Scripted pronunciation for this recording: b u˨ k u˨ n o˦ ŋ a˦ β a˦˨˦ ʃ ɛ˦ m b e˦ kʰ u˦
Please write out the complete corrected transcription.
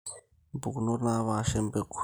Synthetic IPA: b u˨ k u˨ n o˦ n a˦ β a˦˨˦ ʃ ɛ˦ m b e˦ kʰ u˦